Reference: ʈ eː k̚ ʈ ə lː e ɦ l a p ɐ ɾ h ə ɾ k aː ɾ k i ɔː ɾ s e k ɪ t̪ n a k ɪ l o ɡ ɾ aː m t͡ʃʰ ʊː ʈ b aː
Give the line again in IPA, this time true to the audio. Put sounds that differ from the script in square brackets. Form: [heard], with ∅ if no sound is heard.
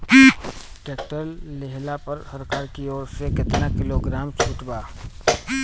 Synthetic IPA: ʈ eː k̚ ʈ ə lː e ɦ l a p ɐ ɾ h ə ɾ k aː ɾ k i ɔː ɾ s e k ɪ t̪ n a k ɪ l o ɡ ɾ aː m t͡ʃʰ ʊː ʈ b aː